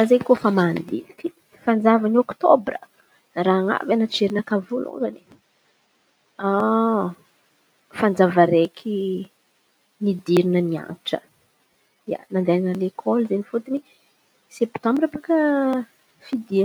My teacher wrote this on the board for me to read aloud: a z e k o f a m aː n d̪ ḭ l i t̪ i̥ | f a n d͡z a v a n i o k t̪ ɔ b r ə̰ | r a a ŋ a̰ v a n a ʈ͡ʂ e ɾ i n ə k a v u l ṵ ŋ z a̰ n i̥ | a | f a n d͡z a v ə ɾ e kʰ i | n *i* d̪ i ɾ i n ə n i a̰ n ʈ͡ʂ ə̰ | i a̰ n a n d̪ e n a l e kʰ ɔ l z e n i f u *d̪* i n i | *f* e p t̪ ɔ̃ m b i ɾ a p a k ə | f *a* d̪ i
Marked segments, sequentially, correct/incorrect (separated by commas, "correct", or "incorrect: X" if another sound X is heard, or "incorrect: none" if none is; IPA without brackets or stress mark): correct, incorrect: t̪, incorrect: s, incorrect: i